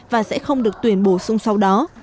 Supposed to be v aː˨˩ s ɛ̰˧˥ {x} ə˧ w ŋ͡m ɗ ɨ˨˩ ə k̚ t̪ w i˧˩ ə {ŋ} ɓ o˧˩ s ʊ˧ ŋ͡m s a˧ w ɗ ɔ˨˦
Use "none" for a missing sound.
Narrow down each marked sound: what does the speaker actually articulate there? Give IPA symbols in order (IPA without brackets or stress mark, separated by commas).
x, n